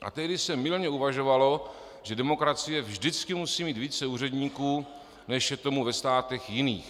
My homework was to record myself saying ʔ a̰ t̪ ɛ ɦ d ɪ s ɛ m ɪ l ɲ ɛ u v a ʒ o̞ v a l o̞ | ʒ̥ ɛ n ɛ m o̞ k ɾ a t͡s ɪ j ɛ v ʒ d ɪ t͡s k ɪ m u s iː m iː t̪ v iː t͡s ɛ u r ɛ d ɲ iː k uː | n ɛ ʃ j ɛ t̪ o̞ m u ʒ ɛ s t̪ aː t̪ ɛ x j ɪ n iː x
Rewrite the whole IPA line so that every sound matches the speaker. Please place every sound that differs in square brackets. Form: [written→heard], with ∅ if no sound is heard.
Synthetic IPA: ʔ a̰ t̪ ɛ ɦ d ɪ s ɛ m ɪ l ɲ ɛ u v a ʒ o̞ v a l o̞ | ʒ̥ ɛ [n→d] ɛ m o̞ k ɾ a t͡s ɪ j ɛ v ʒ d ɪ t͡s k ɪ m u s iː m iː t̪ v iː t͡s ɛ [u→uː] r ɛ d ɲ iː k uː | n ɛ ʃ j ɛ t̪ o̞ m u [ʒ→v] ɛ s t̪ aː t̪ ɛ x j ɪ n iː x